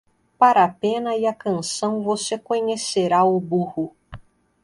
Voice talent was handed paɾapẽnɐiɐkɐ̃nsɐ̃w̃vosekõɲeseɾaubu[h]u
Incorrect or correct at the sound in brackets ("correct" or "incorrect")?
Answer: correct